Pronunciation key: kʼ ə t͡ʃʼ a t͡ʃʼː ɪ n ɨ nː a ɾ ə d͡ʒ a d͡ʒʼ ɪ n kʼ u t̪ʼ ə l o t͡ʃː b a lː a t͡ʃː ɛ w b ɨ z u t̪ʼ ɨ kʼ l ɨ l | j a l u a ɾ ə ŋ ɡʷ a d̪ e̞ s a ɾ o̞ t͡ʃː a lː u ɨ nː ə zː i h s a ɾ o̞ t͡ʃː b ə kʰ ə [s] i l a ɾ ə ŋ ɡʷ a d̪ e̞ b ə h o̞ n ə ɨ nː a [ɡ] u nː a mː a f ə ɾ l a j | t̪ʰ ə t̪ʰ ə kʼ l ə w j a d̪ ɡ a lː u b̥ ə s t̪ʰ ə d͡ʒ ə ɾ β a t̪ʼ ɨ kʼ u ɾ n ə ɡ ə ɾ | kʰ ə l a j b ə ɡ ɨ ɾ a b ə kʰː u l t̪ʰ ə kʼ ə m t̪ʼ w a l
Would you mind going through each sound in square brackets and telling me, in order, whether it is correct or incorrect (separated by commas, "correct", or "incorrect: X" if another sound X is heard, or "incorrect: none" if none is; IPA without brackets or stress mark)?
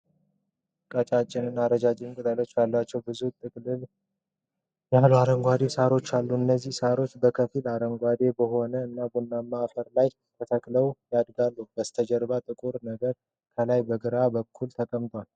incorrect: f, incorrect: b